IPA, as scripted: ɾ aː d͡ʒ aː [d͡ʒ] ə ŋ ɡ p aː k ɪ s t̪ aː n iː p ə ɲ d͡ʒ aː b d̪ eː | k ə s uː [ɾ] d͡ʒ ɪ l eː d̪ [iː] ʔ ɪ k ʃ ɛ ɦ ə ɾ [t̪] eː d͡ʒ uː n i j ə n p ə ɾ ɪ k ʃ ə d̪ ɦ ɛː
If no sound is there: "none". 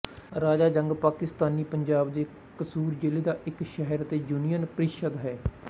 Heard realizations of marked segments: d͡ʒ, ɾ, aː, t̪

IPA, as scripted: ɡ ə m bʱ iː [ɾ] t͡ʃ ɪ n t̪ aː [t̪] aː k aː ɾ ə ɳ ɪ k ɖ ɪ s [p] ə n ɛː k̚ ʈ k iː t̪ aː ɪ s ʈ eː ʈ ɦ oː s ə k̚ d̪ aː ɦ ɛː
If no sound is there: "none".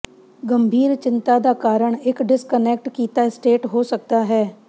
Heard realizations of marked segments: ɾ, d̪, k

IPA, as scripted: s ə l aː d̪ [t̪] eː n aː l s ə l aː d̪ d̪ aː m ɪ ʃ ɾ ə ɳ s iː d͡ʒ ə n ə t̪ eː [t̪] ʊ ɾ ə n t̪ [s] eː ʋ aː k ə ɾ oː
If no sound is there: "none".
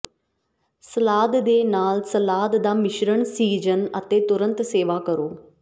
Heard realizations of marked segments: d̪, t̪, s

